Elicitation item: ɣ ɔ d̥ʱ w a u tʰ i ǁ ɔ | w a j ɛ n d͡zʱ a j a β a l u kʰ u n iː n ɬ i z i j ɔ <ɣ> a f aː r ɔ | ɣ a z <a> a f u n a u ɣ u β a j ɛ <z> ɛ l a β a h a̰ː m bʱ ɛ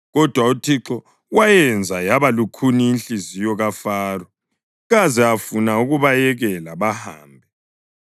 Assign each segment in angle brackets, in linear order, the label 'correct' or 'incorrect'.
correct, incorrect, incorrect

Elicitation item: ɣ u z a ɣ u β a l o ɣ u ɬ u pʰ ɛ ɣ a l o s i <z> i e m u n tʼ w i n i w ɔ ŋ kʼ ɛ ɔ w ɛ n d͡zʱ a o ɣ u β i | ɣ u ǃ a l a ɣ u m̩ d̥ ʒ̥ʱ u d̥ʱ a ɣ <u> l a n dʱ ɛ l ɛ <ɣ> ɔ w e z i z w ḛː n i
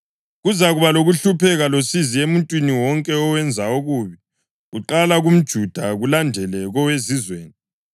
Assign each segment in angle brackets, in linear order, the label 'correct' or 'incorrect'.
correct, correct, correct

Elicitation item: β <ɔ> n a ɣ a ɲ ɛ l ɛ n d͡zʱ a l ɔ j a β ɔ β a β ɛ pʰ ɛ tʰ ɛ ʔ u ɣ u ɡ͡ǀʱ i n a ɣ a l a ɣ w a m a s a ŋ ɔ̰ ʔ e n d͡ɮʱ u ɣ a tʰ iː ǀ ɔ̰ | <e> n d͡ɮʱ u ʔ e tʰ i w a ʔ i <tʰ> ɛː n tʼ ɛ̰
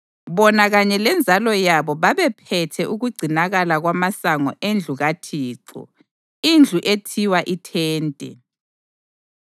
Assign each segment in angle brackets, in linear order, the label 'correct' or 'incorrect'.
correct, incorrect, correct

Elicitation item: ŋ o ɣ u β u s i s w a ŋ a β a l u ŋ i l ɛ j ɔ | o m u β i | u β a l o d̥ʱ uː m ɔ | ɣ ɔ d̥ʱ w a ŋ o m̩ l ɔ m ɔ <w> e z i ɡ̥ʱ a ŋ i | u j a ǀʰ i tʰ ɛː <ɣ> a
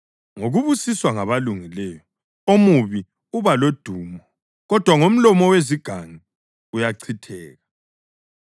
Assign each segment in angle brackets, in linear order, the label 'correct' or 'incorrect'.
correct, correct

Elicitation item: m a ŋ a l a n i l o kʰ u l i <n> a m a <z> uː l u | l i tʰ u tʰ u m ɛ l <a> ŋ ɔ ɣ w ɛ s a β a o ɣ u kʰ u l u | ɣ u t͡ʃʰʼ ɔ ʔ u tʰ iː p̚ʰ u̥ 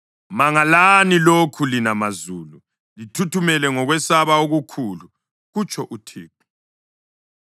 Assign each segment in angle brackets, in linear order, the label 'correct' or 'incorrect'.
correct, correct, incorrect

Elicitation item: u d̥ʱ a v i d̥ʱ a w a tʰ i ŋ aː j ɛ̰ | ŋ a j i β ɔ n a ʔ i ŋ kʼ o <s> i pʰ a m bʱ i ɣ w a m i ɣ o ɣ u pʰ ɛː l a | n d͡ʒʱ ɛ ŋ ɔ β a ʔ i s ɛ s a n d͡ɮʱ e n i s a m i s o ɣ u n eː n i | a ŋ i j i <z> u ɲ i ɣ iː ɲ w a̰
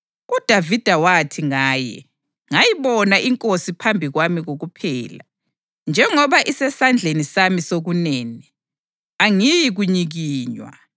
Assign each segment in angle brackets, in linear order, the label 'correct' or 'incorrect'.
correct, incorrect

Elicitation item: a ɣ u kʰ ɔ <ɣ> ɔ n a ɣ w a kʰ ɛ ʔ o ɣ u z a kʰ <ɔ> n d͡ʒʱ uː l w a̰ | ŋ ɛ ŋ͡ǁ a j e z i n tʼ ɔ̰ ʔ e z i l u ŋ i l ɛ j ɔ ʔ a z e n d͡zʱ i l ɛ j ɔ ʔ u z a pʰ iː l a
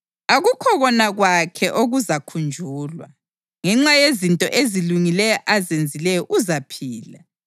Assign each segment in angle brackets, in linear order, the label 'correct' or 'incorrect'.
correct, incorrect

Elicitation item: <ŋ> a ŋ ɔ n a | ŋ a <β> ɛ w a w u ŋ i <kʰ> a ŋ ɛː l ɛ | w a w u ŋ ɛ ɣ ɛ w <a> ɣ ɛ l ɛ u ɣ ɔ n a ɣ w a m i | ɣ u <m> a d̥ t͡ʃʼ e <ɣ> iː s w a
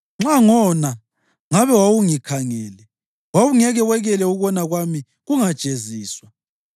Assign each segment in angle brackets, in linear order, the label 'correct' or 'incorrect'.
incorrect, correct, correct, incorrect, incorrect, incorrect

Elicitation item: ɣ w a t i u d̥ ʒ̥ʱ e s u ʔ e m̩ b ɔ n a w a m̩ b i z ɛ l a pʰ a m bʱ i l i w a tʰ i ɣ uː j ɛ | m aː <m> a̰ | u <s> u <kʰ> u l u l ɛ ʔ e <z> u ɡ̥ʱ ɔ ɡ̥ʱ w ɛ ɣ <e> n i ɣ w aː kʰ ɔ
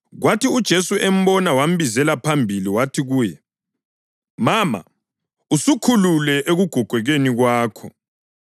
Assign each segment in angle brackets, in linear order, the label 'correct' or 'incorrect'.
correct, correct, correct, incorrect, correct

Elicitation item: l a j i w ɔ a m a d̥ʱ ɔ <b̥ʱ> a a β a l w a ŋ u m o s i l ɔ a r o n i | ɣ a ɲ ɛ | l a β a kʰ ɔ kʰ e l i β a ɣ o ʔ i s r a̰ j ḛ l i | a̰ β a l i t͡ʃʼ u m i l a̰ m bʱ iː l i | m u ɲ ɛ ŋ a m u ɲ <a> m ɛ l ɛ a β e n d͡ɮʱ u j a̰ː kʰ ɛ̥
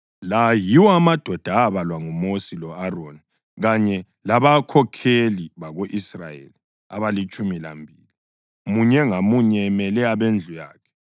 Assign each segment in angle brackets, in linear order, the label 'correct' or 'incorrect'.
incorrect, incorrect

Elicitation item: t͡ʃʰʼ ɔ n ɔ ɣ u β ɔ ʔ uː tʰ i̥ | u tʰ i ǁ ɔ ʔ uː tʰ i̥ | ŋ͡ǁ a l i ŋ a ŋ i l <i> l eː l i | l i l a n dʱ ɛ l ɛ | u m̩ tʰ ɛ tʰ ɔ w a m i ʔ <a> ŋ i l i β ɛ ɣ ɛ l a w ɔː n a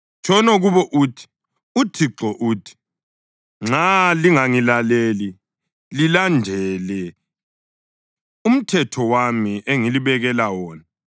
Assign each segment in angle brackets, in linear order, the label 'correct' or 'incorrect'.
incorrect, incorrect

